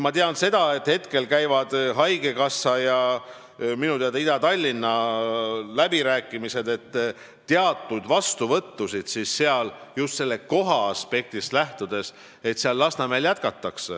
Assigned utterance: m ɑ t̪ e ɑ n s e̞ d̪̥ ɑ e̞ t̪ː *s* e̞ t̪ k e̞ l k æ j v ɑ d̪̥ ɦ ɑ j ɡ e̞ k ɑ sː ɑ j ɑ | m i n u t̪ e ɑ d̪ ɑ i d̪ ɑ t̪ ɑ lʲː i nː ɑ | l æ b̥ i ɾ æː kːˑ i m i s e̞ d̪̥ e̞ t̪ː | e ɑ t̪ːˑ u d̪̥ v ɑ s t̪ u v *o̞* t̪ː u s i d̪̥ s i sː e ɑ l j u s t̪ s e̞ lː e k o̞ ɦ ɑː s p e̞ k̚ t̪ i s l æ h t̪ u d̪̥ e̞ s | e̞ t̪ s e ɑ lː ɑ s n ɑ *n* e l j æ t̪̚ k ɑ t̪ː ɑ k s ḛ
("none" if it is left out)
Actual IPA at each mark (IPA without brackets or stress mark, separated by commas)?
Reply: h, ɤ̞, m